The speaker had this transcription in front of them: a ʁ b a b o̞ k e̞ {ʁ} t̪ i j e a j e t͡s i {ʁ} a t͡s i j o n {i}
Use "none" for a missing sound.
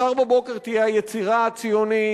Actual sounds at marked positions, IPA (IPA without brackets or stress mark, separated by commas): ʁ, ʁ, i